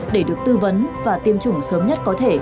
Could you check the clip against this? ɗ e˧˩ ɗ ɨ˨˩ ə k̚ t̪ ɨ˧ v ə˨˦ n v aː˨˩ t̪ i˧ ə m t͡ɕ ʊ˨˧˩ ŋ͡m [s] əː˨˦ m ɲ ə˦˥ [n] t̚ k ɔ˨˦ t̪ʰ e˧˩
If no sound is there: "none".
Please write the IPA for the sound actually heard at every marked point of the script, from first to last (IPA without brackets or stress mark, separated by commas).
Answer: s, none